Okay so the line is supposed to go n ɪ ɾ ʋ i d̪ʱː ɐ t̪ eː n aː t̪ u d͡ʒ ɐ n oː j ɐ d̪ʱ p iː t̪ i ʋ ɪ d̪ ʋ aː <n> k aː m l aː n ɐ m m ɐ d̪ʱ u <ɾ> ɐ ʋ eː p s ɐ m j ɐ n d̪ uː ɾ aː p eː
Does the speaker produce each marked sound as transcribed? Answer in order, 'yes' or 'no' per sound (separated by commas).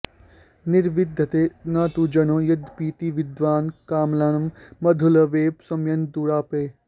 yes, no